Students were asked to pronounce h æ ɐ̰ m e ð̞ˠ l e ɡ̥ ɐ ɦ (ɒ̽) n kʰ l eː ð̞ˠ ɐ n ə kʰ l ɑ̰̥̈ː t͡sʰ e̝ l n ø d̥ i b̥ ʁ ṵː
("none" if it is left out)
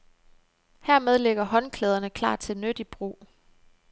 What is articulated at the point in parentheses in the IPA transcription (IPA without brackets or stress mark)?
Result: ɒ̽